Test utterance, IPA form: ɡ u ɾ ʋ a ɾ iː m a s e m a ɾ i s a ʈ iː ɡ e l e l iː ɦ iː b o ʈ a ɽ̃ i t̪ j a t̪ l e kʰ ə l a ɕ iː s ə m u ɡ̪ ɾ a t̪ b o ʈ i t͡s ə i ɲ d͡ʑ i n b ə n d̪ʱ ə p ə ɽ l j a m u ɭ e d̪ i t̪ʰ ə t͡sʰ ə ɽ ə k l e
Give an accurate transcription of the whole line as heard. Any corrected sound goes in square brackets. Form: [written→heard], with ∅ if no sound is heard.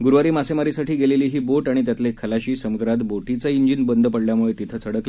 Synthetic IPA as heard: ɡ u ɾ ʋ a ɾ iː m a s e m a ɾ i s a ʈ iː ɡ e l e l iː ɦ iː b o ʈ a ɽ̃ i t̪ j a t̪ l e kʰ ə l a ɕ iː s ə m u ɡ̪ ɾ a t̪ b o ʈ i t͡s ə i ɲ d͡ʑ i n b ə n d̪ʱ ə p ə ɽ l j a m u ɭ e [d̪→t̪] i t̪ʰ ə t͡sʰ ə ɽ ə k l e